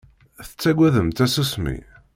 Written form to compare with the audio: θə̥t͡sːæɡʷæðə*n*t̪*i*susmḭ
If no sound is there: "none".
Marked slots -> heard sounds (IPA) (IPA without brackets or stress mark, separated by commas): m, æ